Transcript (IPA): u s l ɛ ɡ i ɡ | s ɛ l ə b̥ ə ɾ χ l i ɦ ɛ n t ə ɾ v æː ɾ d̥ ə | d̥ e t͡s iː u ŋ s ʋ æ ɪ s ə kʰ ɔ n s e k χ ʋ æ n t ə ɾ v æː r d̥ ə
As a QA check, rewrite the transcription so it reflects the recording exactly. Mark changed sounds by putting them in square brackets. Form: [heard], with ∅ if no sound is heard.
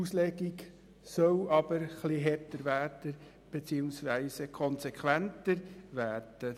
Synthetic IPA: u s l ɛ ɡ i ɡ | s [œ] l [ɑ] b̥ ə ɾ χ l i ɦ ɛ [∅] t ə ɾ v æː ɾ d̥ ə | [b̥] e t͡s iː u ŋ s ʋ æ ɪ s ə kʰ ɔ n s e k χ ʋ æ n t ə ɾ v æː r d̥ ə

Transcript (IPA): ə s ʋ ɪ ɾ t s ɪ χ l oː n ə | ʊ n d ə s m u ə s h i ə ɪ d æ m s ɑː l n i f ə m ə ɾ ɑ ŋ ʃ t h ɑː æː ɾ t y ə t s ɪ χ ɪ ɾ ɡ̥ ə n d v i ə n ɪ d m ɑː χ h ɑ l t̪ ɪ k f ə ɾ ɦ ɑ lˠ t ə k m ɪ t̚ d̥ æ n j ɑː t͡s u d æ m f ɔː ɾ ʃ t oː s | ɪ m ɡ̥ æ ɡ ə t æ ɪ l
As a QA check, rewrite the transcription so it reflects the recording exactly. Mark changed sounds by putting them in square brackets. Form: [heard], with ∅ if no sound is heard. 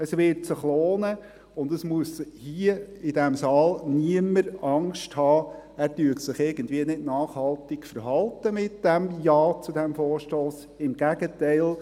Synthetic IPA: ə s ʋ ɪ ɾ t s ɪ χ l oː n ə | ʊ n d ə s m u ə s h i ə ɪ d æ m s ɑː l n i [∅] ə m ə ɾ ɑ ŋ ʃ t h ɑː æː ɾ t y ə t s ɪ χ ɪ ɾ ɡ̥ ə n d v i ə n ɪ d [n] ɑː χ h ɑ l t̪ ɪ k f ə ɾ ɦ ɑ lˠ t ə [∅] m ɪ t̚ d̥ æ [m] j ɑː t͡s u d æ m f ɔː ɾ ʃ t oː s | ɪ m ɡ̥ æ ɡ ə t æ ɪ l

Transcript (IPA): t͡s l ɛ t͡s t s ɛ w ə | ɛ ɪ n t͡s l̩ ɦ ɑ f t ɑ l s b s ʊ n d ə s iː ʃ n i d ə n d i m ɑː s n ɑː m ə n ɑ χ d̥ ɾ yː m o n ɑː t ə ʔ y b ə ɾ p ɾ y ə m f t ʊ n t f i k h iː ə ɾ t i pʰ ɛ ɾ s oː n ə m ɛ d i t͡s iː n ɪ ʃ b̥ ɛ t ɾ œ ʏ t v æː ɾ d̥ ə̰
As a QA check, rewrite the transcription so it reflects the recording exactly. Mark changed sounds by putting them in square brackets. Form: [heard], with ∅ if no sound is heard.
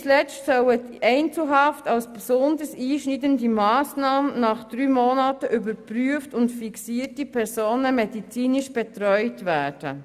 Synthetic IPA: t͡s l ɛ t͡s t s [œ] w ə | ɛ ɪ n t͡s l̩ ɦ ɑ f t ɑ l s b s ʊ n d ə s iː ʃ n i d ə n d i m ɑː s n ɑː m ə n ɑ χ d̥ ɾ yː m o n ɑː t ə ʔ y b ə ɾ p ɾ y ə [∅] f t ʊ n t f i k [s] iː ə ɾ t i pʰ ɛ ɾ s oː n ə m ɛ d i t͡s iː n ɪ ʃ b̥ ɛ t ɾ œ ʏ t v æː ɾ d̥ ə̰

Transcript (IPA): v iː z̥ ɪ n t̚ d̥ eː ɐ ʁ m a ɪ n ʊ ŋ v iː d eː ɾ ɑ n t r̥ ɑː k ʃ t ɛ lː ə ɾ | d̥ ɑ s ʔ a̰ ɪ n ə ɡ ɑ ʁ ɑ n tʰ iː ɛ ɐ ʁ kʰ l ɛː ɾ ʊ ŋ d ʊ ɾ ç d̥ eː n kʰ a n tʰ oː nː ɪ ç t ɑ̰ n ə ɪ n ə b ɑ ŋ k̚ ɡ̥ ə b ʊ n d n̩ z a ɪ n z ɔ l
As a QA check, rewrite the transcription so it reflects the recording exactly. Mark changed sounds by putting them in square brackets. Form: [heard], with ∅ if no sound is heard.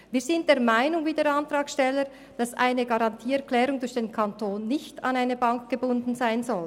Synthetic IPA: v iː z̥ ɪ n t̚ d̥ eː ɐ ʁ m a ɪ n ʊ ŋ v iː d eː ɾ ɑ n t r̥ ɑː k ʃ t ɛ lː ə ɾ | d̥ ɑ s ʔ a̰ ɪ n ə ɡ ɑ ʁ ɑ n tʰ iː ɛ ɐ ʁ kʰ l ɛː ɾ ʊ ŋ d ʊ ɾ ç d̥ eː n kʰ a n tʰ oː nː ɪ ç t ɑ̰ n [a] ɪ n ə b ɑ ŋ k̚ ɡ̥ ə b ʊ n d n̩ z a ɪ n z ɔ l

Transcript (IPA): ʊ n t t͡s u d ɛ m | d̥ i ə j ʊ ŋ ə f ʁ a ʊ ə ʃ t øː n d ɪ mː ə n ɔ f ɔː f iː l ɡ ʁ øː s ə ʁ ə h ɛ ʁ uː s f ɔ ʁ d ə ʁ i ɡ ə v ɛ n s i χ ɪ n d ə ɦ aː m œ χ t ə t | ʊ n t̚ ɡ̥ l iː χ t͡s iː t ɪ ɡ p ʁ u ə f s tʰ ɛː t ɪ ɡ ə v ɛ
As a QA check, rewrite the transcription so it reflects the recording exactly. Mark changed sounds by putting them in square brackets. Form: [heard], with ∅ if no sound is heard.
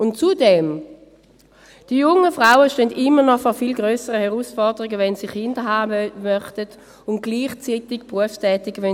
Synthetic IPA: ʊ n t t͡s u d ɛ m | d̥ i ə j ʊ ŋ ə f ʁ a ʊ ə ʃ t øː n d ɪ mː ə n ɔ f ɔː f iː l ɡ ʁ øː s ə ʁ ə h ɛ ʁ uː s f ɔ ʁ d ə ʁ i ɡ ə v ɛ n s i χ ɪ n d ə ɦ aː m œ χ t ə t | ʊ n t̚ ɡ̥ l iː χ t͡s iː t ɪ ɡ p ʁ u ə f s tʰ ɛː t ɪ ɡ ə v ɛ

